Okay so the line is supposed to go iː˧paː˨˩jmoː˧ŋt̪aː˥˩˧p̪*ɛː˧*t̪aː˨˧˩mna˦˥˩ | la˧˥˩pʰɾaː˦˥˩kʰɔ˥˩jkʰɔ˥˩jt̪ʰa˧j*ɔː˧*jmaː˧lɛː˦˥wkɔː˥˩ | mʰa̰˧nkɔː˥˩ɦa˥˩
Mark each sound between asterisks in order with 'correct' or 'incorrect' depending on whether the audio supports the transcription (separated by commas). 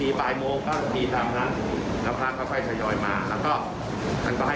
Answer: incorrect, correct